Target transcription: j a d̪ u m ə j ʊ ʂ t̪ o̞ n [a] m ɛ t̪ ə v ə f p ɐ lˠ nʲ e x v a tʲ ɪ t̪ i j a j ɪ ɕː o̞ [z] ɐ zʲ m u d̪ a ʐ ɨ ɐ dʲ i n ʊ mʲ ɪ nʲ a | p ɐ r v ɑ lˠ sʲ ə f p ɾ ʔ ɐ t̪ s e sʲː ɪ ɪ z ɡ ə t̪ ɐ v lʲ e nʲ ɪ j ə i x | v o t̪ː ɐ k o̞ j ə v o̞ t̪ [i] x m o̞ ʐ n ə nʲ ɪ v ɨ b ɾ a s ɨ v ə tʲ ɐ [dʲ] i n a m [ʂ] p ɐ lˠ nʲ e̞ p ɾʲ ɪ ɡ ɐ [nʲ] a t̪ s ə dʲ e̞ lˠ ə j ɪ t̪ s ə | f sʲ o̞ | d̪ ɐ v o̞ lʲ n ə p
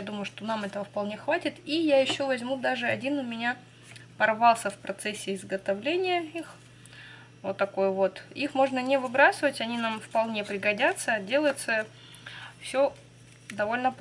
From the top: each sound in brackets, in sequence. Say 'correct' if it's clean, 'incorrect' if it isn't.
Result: correct, incorrect: v, correct, incorrect: nʲ, incorrect: f, incorrect: dʲ

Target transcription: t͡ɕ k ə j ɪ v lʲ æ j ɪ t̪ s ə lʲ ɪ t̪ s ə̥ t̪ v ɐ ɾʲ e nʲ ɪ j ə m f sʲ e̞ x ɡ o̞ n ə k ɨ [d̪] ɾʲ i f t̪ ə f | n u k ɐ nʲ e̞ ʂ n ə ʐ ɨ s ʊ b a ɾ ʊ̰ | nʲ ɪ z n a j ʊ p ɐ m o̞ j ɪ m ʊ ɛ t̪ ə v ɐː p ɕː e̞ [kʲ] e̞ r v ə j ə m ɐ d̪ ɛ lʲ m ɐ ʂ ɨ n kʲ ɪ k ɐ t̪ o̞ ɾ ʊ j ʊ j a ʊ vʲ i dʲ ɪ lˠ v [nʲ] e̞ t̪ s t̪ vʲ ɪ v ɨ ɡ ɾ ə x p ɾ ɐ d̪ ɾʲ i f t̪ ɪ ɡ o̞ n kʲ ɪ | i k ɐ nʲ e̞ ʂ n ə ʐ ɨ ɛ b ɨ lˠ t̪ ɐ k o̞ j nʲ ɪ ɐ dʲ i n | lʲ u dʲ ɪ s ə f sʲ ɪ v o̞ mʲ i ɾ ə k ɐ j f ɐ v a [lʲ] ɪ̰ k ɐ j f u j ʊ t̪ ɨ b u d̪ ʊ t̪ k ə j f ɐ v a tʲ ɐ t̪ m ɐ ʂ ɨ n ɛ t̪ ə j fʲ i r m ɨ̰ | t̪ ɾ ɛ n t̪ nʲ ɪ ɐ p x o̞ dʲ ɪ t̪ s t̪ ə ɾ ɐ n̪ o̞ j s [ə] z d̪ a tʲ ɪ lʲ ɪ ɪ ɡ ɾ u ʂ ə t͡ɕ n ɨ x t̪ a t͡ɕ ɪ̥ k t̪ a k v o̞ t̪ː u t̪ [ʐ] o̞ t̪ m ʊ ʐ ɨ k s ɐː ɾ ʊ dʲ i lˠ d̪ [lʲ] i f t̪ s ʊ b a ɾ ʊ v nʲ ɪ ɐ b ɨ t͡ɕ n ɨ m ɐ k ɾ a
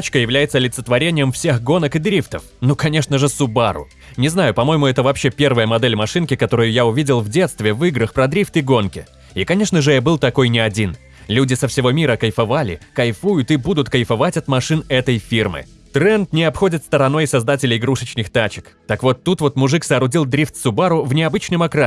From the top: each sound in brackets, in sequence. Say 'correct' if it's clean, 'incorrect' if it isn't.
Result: correct, incorrect: pʲ, incorrect: dʲ, correct, incorrect: ɐ, incorrect: v, incorrect: ɾʲ

